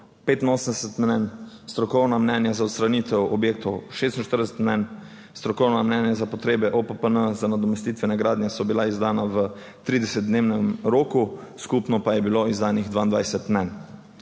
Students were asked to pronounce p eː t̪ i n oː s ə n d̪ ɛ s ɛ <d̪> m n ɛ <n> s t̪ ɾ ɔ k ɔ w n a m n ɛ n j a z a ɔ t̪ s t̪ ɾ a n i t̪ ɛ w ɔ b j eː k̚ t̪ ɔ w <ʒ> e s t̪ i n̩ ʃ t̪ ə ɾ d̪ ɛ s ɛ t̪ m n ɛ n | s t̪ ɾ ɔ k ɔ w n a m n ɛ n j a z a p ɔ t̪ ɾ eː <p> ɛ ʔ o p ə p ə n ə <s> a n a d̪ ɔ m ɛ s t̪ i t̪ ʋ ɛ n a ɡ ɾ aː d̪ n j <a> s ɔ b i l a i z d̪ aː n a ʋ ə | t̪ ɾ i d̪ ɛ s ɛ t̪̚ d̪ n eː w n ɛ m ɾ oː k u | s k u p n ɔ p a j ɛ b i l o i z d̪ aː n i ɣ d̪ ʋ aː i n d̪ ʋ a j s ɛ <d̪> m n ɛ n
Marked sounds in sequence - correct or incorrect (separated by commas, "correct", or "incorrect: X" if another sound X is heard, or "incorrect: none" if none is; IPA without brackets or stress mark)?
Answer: incorrect: t̪, correct, incorrect: ʃ, incorrect: b, incorrect: z, incorrect: ɛ, incorrect: t̪